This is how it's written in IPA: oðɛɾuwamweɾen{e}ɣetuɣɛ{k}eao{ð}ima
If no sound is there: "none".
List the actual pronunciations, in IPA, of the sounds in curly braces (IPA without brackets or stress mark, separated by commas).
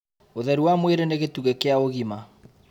e, k, ɣ